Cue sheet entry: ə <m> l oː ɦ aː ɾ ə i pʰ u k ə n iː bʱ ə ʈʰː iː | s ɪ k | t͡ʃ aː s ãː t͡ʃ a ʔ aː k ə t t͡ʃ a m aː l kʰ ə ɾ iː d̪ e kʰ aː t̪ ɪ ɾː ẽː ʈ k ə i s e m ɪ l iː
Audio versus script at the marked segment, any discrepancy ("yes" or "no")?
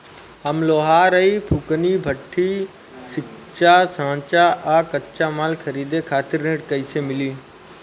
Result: no